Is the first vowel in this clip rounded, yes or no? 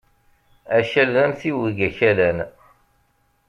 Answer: no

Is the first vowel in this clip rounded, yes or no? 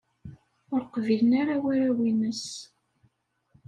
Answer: yes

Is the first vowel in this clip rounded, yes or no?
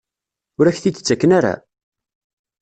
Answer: yes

